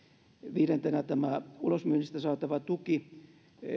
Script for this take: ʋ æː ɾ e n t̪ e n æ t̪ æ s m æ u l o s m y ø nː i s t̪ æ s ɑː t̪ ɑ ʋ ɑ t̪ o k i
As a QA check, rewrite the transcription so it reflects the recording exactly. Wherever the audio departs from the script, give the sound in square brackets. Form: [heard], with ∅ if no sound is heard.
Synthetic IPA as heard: ʋ [iː] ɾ e n t̪ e n æ t̪ æ [∅] m æ u l o s m y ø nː i s t̪ æ s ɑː t̪ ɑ ʋ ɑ t̪ [u] k i